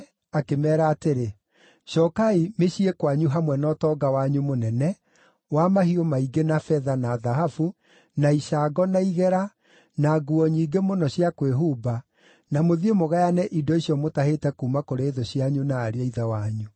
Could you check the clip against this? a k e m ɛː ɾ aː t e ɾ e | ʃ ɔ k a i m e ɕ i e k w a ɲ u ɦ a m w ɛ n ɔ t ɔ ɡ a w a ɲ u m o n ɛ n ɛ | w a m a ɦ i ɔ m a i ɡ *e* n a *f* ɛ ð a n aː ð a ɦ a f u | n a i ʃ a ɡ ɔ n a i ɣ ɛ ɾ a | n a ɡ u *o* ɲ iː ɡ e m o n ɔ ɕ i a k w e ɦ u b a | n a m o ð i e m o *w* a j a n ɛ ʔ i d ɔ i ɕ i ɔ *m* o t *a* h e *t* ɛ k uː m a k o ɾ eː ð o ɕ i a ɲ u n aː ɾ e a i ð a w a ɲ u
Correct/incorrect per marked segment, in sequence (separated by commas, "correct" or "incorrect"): correct, correct, incorrect, incorrect, correct, correct, correct